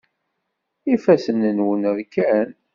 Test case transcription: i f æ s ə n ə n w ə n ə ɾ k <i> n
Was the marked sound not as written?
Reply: yes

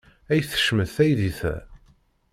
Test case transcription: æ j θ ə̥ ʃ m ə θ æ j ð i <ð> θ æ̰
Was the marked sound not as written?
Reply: yes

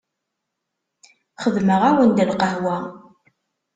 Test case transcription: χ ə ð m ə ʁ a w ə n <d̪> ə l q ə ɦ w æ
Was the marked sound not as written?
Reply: no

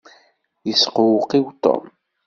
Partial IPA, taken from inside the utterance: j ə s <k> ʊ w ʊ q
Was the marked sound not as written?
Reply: yes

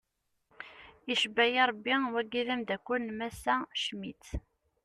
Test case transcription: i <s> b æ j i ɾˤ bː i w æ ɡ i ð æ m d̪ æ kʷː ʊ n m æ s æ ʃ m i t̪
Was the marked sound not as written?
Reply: yes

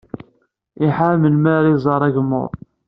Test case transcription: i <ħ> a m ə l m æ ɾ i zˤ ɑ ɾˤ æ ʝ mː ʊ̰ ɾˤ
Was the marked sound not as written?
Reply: no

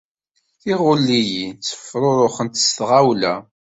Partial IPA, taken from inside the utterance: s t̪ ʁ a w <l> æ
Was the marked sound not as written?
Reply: no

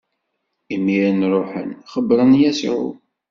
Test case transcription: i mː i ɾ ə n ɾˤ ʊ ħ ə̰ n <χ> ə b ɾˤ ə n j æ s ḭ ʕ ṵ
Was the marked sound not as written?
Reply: no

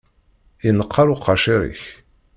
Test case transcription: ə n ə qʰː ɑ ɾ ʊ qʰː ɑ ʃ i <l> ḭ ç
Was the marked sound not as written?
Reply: yes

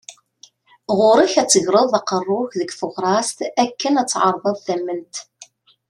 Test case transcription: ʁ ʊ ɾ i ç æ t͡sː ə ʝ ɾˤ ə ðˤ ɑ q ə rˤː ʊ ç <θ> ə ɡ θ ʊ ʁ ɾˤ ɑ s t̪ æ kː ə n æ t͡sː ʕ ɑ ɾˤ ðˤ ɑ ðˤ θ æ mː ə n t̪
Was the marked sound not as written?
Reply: yes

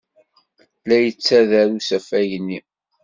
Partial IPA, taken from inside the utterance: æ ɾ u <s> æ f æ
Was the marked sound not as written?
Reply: no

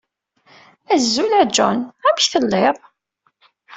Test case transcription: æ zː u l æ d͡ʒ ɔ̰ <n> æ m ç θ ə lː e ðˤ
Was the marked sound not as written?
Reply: no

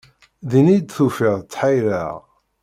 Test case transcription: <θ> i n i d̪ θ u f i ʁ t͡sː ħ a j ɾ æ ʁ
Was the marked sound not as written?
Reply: yes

